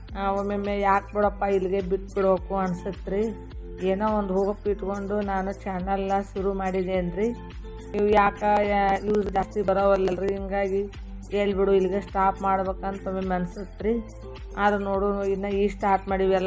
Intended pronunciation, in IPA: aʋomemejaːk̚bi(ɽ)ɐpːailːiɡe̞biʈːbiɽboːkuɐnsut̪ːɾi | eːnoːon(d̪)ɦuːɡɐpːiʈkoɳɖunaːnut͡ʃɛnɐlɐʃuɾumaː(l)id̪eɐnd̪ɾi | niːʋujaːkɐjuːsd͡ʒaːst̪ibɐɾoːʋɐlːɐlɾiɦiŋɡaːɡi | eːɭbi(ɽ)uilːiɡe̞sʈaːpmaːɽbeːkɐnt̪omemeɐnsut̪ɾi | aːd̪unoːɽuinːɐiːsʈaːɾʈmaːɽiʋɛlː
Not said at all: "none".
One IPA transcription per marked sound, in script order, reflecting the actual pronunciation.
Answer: ɽ, d̪, ɽ, ɽ

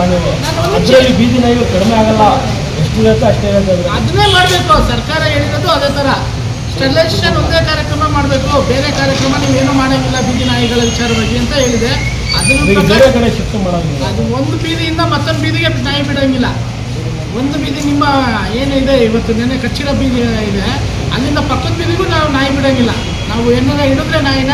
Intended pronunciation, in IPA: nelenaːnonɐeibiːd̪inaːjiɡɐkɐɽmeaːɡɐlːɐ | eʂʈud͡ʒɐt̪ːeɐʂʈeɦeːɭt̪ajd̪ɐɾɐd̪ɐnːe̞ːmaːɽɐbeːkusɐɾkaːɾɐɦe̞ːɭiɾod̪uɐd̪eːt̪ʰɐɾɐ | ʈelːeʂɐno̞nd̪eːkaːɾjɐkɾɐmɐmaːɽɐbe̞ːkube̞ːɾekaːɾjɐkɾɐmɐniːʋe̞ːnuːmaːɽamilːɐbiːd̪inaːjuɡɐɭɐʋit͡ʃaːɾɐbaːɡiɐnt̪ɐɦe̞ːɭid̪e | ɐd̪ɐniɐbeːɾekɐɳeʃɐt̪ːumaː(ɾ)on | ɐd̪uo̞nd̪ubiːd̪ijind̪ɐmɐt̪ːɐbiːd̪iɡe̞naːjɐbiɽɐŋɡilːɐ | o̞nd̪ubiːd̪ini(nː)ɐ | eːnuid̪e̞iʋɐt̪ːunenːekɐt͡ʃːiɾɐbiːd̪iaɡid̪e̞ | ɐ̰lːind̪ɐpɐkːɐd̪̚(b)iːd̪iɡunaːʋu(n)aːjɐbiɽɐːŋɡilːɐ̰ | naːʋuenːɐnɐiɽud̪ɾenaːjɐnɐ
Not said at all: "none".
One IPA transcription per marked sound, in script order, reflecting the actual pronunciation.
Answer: ɽ, mː, b, n

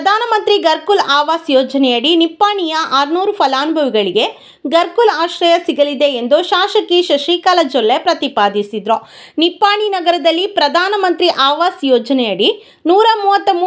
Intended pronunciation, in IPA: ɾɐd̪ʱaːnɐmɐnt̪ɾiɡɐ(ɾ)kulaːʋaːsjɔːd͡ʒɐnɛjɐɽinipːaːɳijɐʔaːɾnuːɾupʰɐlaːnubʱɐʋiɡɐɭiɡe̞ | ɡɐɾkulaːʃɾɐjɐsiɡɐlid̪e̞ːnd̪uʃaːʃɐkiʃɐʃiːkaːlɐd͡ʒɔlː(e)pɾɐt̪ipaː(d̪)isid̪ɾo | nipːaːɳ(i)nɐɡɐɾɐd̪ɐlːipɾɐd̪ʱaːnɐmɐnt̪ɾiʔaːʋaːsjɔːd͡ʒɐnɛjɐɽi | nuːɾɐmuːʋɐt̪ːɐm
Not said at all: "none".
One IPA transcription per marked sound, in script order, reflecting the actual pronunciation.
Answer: ɾ, e, d̪, i

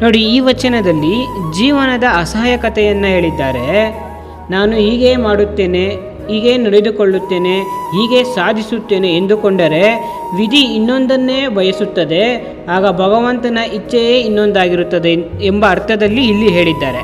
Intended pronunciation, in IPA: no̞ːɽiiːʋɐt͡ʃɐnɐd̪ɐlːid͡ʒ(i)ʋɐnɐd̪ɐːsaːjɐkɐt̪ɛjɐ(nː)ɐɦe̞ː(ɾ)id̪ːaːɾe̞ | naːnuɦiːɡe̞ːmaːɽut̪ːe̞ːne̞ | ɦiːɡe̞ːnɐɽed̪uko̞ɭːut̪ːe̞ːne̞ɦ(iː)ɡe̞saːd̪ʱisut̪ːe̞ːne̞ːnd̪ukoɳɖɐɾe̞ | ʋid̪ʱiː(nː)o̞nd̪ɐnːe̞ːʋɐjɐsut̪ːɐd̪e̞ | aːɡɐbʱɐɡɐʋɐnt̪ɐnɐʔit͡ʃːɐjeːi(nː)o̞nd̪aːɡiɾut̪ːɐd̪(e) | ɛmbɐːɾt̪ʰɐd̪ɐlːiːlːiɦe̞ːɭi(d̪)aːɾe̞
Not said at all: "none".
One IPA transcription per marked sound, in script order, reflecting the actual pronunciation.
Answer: iː, nː, ɭ, iː, nː, nː, e, d̪ː

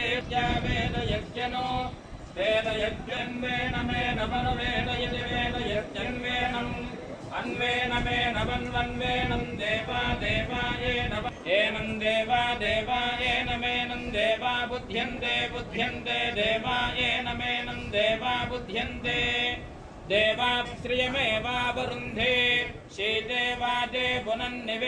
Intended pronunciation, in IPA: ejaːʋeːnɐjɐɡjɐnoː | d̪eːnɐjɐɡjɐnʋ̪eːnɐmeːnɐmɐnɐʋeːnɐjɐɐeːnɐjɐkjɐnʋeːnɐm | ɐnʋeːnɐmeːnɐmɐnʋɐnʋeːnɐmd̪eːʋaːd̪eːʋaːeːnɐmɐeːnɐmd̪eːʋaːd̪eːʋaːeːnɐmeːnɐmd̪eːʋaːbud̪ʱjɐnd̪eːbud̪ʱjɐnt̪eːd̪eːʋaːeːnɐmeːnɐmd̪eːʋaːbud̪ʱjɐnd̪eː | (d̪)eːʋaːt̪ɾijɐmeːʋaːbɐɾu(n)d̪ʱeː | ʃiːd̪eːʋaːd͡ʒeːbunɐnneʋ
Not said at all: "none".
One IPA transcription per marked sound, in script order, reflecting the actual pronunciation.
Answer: d̪, n

